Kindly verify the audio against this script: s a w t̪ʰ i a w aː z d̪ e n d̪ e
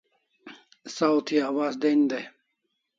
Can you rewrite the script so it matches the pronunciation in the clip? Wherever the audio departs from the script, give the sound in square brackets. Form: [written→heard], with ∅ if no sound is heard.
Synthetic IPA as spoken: s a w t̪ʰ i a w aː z d̪ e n d̪ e